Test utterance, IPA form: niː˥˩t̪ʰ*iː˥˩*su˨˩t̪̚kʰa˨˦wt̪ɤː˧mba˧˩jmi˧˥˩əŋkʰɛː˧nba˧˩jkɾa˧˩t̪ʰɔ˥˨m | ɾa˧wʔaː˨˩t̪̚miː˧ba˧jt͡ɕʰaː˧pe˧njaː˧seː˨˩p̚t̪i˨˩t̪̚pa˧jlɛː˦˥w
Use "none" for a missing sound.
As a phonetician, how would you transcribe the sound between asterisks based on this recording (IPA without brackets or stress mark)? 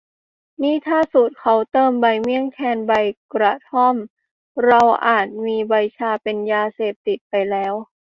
aː˥˩